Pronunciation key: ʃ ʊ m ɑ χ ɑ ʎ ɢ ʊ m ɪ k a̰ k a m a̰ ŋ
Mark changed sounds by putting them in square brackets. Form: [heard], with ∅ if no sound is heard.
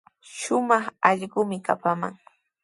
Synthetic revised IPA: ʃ ʊ m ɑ χ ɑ ʎ ɢ ʊ m ɪ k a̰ [p] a m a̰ ŋ

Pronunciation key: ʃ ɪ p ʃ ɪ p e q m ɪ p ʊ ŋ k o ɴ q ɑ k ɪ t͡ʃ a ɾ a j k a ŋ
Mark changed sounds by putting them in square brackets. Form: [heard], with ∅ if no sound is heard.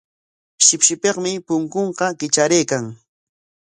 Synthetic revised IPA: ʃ ɪ p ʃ ɪ p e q m ɪ p ʊ ŋ k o ɴ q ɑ k ɪ t͡ʃ a ɾ [e] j k a ŋ

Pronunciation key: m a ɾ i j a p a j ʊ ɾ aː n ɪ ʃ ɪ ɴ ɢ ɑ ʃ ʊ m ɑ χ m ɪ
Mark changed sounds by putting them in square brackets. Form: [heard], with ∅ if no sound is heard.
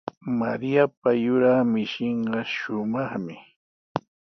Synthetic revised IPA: m a ɾ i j a p a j ʊ ɾ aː [m] ɪ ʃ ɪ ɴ ɢ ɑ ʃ ʊ m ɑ χ m ɪ

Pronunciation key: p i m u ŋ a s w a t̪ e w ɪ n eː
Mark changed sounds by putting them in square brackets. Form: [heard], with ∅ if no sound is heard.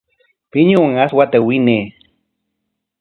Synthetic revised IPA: p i [ɲ] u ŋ a s w a t̪ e w [i] n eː

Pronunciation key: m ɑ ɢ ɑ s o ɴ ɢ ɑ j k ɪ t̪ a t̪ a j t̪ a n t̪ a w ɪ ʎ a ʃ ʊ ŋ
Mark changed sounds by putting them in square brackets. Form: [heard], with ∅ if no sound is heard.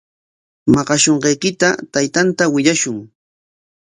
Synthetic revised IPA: m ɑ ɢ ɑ [ʃ] o ɴ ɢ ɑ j k ɪ t̪ a t̪ a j t̪ a n t̪ a w ɪ ʎ a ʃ ʊ ŋ

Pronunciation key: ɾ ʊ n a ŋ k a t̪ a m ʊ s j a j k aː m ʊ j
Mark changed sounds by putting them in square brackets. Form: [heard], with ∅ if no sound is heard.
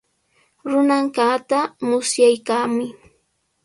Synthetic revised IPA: ɾ ʊ n a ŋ k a t̪ a m ʊ s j a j k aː m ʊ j

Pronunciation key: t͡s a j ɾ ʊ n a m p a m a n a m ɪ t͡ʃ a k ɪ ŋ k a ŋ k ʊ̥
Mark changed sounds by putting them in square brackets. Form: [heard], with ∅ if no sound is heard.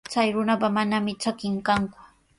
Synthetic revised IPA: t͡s a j ɾ ʊ n a [∅] p a m a n a m ɪ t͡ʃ a k ɪ ŋ k a ŋ k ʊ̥

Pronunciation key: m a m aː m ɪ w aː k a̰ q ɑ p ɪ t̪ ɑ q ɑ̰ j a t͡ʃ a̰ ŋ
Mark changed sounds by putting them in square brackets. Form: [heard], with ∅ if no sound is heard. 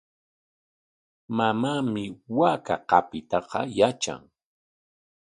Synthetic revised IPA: m a m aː m ɪ w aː k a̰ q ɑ p ɪ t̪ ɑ q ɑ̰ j a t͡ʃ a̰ ŋ

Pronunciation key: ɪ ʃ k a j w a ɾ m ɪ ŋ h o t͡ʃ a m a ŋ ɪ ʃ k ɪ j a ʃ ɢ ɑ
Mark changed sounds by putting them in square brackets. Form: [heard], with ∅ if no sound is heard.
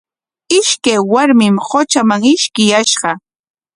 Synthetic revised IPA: ɪ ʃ k a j w a ɾ m ɪ [m] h o t͡ʃ a m a ŋ ɪ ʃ k ɪ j a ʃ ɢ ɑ

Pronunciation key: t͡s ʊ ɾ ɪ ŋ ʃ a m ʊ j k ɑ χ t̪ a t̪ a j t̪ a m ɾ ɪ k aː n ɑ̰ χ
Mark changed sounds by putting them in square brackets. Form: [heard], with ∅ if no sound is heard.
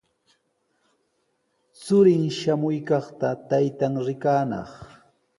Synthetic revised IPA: t͡s ʊ ɾ ɪ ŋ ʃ a m ʊ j k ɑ χ t̪ a t̪ a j t̪ a [ŋ] ɾ ɪ k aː n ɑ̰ χ

